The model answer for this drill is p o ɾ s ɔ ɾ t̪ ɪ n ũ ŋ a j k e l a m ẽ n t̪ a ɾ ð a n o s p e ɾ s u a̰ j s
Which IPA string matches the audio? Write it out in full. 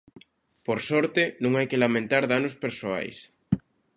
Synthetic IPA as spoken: p o ɾ s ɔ ɾ t̪ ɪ n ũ ŋ a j k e l a m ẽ n t̪ a ɾ ð a n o s p e ɾ s o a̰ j s